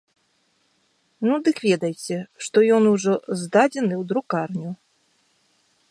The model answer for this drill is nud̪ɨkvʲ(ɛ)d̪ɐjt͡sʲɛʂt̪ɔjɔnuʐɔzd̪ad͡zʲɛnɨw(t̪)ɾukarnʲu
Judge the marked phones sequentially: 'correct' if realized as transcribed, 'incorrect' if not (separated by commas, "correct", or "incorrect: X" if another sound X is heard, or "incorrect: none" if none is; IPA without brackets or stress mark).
correct, incorrect: d̪